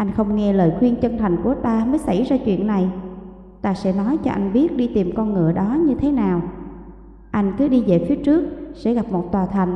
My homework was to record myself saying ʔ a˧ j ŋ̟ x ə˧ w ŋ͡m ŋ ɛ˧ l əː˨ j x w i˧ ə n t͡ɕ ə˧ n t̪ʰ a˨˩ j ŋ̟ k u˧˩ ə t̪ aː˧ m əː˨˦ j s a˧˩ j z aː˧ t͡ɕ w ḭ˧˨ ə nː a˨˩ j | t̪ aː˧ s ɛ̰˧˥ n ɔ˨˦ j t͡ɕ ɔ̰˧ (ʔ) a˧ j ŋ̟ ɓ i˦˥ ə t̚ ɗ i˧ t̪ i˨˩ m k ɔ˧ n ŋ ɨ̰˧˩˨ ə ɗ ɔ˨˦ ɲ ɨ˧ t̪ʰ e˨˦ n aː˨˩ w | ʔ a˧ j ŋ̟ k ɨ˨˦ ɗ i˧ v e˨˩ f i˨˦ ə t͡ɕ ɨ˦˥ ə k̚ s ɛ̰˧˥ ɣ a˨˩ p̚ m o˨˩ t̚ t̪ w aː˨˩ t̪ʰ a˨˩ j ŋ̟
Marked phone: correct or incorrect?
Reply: correct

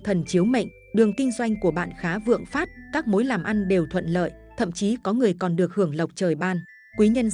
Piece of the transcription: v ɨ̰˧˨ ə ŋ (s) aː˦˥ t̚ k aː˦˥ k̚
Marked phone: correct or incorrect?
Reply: incorrect: f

